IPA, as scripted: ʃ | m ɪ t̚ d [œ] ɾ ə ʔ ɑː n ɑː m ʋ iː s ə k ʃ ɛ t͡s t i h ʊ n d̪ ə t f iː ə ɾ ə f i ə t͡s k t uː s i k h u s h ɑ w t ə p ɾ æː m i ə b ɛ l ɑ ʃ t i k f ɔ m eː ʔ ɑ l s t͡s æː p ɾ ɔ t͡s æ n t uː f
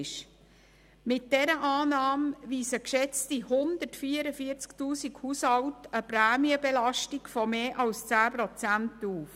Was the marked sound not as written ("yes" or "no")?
yes